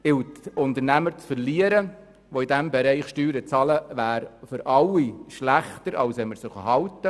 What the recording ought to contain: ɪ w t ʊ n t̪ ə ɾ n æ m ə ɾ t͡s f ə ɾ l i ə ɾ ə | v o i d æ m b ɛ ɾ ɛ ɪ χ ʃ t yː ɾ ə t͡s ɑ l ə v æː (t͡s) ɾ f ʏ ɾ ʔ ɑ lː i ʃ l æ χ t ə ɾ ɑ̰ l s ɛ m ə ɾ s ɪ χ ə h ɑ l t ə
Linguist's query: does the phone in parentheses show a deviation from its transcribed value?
yes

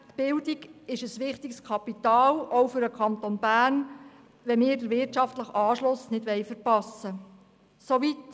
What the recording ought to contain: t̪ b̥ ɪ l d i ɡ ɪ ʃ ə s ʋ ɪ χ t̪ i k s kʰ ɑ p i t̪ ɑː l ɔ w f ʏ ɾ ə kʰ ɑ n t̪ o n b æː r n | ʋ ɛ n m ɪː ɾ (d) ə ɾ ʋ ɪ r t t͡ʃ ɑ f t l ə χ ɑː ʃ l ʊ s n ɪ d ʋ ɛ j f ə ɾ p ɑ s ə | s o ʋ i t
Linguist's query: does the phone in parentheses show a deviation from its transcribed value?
no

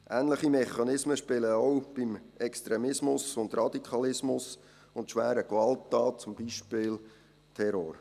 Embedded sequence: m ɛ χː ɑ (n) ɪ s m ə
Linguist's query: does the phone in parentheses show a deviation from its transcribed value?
no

